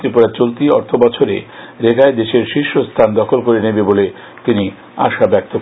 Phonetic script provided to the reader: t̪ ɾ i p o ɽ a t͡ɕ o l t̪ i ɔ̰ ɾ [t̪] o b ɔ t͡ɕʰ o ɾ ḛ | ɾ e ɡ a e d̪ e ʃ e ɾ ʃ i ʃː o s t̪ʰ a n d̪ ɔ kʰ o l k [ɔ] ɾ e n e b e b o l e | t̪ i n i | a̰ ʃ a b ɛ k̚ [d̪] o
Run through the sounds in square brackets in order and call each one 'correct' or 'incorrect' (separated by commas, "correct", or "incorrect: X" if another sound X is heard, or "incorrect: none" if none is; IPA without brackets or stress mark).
incorrect: t̪ʰ, incorrect: o, incorrect: t̪